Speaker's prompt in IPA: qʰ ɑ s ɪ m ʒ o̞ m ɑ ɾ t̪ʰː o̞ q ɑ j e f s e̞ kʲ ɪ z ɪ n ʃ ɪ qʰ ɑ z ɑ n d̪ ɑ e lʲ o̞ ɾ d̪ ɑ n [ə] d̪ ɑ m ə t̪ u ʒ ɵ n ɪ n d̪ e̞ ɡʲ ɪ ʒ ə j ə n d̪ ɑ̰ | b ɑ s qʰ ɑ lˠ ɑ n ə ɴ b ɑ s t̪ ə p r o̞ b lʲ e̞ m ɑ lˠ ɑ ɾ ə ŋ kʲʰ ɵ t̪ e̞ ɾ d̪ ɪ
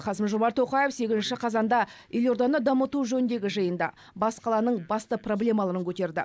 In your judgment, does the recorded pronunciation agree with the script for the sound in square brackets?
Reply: yes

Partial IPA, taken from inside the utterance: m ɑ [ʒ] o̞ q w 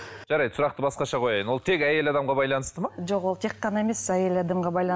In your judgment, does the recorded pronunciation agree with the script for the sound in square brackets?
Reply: yes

